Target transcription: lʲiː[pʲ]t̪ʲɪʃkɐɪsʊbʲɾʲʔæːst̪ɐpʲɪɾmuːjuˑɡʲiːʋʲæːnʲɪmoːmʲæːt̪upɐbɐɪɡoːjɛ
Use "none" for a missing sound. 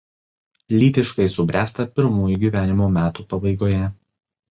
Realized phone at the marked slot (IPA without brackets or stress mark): none